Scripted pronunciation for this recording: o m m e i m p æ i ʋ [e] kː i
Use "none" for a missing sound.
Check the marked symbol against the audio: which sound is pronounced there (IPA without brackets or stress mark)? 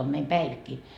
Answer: i